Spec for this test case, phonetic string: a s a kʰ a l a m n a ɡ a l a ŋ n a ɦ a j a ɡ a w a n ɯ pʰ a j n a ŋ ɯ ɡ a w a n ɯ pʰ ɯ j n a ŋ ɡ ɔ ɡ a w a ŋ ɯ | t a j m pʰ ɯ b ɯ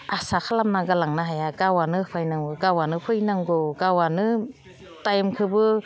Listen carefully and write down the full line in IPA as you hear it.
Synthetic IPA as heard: a s a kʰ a l a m n a ɡ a l a ŋ n a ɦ a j a ɡ a w a n ɯ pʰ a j n a ŋ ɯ ɡ a w a n ɯ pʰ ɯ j n a ŋ ɡ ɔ ɡ a w a n ɯ | t a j m kʰ ɯ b ɯ

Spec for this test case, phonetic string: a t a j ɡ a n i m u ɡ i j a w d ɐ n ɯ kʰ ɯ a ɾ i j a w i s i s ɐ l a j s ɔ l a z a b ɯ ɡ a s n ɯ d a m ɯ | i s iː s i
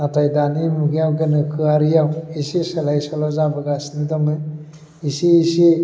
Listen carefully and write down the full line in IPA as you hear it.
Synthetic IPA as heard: a t a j d a n i m u ɡ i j a w ɡ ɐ n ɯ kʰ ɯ a ɾ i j a w i s i s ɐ l a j s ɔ l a z a b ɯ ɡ a s n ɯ d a m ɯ | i s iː s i

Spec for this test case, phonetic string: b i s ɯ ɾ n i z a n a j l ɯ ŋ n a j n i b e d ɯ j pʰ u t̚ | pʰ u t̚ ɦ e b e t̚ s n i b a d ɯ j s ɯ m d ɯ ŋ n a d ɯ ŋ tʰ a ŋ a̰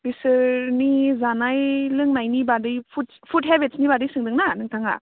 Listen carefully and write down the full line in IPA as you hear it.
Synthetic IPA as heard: b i s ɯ ɾ n i z a n a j l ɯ ŋ n a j n i b a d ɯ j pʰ u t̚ | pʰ u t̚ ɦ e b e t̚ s n i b a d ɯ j s ɯ ŋ d ɯ ŋ n a n ɯ ŋ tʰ a ŋ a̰

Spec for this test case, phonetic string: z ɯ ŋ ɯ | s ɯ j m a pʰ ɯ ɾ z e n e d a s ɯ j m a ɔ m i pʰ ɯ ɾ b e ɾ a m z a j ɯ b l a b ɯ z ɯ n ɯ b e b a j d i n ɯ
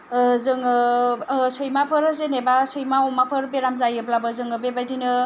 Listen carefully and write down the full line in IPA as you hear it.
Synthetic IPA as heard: z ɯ ŋ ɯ | s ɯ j m a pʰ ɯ ɾ z e n e b a s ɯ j m a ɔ m a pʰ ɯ ɾ b e ɾ a m z a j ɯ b l a b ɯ z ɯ ŋ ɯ b e b a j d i n ɯ

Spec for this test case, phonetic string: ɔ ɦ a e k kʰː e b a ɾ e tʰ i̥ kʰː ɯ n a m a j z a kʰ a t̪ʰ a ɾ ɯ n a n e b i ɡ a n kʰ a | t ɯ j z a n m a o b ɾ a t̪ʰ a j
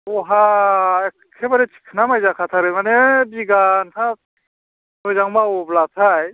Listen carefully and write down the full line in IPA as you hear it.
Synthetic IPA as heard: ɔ ɦ a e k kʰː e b a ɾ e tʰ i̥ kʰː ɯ n a m a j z a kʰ a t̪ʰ a ɾ ɯ m a n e b i ɡ a n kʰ a | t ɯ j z a ŋ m a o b l a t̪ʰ a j

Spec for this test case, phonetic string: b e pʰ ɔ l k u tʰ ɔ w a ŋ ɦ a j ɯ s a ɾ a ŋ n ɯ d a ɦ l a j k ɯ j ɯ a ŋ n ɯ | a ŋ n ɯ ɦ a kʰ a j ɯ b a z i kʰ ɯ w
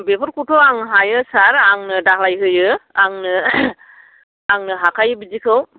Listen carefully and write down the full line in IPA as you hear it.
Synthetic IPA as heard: b e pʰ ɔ ɾ k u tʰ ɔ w a ŋ ɦ a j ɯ s a ɾ a ŋ n ɯ d a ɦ l a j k ɯ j ɯ a ŋ n ɯ | a ŋ n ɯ ɦ a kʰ a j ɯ b i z i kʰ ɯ w

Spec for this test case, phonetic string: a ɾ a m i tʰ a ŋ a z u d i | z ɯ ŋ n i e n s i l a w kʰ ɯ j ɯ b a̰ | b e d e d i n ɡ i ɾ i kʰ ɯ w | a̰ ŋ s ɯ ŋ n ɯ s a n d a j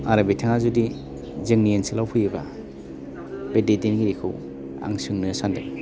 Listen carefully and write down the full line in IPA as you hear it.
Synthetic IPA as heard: a ɾ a b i tʰ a ŋ a z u d i | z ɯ ŋ n i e n s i l a w pʰ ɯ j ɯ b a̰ | b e d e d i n ɡ i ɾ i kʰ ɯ w | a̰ ŋ s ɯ ŋ n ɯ s a n d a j

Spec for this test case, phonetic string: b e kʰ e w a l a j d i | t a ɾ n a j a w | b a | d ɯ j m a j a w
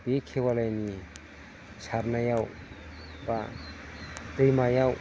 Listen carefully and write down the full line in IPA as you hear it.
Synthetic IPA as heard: b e kʰ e w a l a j n i | s a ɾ n a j a w | b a | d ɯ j m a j a w

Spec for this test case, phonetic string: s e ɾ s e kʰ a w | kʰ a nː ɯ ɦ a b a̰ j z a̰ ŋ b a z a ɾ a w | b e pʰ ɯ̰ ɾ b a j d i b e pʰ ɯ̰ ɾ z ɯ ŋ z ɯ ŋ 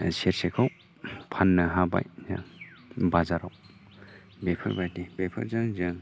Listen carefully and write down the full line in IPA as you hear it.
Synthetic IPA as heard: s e ɾ s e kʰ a w | pʰ a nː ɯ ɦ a b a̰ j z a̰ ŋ b a z a ɾ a w | b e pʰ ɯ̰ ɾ b a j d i b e pʰ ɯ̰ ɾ z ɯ ŋ z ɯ ŋ

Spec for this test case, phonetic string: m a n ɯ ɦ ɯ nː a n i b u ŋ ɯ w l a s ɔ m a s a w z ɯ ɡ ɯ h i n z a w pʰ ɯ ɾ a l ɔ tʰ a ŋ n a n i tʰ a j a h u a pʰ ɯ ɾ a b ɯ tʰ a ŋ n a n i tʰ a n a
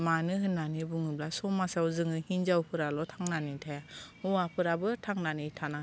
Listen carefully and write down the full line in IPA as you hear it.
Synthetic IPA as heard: m a n ɯ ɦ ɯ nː a n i b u ŋ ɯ b l a s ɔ m a s a w z ɯ ŋ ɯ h i n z a w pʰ ɯ ɾ a l ɔ tʰ a ŋ n a n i tʰ a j a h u a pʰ ɯ ɾ a b ɯ tʰ a ŋ n a n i tʰ a n a

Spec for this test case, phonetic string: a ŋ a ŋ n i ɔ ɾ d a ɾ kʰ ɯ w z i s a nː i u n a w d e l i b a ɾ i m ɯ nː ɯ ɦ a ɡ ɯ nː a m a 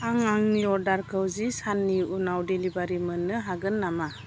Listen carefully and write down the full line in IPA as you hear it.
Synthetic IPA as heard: a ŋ a ŋ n i ɔ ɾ d a ɾ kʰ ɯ w z i s a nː i u n a w d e l i b a ɾ i m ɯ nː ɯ ɦ a ɡ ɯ nː a m a

